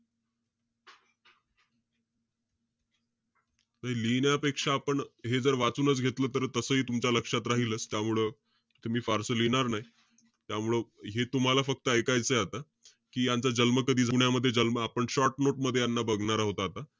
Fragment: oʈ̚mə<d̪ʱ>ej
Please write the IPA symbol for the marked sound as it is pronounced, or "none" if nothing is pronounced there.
d̪ʱː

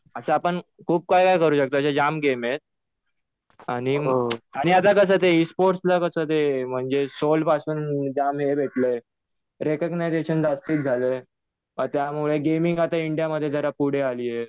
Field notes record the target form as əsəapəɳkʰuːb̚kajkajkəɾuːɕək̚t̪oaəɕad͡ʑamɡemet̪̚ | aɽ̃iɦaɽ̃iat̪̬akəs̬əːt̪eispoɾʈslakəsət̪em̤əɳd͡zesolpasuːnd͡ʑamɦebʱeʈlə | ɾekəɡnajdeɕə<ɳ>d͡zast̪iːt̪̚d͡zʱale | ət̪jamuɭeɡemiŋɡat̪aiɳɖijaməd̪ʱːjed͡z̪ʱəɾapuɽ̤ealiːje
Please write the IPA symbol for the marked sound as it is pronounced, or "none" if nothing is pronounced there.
n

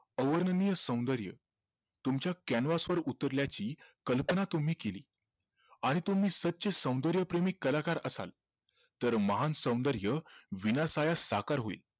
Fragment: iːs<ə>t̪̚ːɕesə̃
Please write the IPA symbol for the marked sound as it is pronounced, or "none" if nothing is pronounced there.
ə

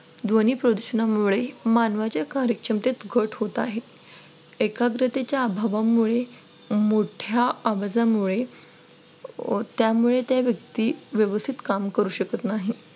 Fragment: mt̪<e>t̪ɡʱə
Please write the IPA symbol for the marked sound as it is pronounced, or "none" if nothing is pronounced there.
e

